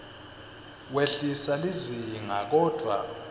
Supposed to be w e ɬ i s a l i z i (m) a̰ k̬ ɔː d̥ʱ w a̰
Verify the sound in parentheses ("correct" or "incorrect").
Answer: incorrect